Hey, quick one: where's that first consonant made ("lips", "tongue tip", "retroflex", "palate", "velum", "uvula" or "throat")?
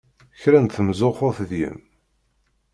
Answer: palate